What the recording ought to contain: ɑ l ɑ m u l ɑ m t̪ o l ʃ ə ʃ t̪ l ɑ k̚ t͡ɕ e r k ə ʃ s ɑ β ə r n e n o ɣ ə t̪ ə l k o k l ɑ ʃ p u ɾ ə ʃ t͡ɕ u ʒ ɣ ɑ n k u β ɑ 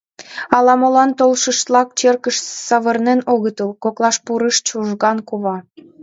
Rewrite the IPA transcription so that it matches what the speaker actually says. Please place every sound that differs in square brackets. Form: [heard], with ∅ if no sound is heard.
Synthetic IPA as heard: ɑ l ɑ m [o] l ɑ [n] t̪ o l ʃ ə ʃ t̪ l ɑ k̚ t͡ɕ e r k ə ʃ s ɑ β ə r n e n o ɣ ə t̪ ə l k o k l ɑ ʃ p u ɾ ə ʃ t͡ɕ u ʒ ɣ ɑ n k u β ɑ